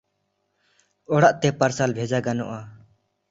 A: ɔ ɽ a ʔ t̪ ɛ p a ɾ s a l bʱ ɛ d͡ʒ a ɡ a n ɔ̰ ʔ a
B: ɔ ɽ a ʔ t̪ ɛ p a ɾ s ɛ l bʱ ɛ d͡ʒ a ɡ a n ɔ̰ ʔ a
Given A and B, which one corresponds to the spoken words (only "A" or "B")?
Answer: A